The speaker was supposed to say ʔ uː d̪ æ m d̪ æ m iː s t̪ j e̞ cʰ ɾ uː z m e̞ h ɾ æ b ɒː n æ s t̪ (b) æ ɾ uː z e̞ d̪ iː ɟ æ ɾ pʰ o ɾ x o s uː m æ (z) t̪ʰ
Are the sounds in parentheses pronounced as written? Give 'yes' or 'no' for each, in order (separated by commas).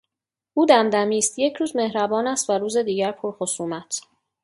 no, no